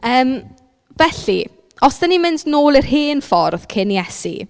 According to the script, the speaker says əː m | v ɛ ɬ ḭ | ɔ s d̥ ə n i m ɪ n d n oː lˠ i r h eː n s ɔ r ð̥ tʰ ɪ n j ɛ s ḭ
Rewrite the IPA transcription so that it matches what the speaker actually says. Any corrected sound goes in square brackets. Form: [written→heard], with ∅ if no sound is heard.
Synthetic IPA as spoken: əː m | v ɛ ɬ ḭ | ɔ s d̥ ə n i m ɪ n d n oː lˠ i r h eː n [s→f] ɔ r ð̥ [tʰ→kʰ] ɪ n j ɛ s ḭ